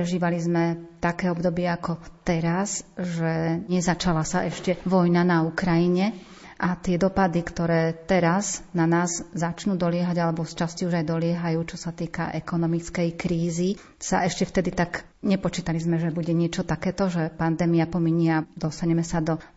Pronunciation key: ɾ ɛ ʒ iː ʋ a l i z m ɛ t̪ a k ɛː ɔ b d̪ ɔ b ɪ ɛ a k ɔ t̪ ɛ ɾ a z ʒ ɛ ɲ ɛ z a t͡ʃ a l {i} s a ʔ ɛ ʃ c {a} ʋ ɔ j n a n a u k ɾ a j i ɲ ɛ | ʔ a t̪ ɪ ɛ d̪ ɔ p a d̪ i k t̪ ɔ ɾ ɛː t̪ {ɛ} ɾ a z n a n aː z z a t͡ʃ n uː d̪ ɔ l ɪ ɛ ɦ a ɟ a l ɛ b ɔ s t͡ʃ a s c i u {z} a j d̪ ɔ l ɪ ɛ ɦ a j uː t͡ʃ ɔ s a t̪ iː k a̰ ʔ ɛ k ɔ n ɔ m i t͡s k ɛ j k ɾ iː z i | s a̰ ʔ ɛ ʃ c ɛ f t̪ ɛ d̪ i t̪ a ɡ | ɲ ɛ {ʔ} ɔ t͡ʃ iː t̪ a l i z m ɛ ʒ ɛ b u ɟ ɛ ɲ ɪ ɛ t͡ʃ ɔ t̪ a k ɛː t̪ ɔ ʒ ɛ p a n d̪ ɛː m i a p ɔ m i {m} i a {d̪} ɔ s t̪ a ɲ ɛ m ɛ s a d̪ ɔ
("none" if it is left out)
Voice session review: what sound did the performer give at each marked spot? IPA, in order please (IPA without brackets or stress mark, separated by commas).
a, ɛ, ɛ, ʒ, p, ɲ, d̪